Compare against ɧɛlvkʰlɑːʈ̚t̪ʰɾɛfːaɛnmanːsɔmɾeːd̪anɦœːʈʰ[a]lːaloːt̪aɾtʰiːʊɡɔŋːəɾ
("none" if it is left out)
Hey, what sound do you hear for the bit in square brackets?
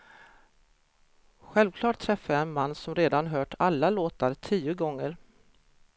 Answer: a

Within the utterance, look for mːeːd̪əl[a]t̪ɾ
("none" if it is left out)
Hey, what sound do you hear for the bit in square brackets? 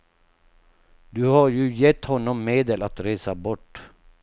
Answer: a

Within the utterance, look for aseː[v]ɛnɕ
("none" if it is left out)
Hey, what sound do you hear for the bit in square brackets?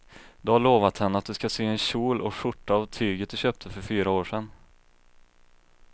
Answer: none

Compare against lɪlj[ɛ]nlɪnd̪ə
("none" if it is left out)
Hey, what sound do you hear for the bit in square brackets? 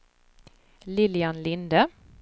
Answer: a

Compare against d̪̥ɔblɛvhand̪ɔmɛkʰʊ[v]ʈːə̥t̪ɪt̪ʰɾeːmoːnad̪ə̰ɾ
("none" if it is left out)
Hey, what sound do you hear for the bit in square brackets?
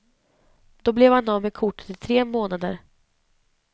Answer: none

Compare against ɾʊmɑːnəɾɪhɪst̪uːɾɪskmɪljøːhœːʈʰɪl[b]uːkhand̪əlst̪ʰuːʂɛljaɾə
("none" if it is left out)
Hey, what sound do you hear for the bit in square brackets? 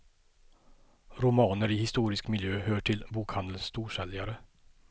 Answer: b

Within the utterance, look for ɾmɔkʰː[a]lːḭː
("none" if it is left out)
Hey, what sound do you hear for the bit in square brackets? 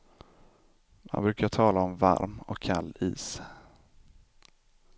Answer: a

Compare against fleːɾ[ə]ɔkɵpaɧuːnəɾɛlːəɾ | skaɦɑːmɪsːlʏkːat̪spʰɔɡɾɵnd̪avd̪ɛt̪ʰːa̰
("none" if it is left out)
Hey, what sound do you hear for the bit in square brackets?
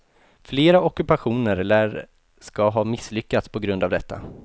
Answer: a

